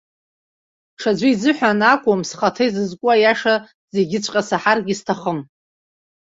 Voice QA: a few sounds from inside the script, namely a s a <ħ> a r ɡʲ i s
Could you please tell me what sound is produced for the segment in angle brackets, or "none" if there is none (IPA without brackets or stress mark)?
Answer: ħ